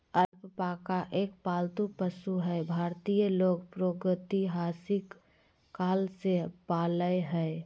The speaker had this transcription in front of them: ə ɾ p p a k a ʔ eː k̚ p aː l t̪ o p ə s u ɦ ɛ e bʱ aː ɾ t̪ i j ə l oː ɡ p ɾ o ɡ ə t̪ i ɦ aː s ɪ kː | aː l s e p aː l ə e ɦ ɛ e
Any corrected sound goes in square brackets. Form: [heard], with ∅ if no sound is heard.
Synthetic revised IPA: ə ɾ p p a k a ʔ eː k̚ p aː l t̪ [u] p ə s u ɦ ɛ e bʱ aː ɾ t̪ i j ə l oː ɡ p ɾ o ɡ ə t̪ i ɦ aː s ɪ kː | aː l s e p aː l ə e ɦ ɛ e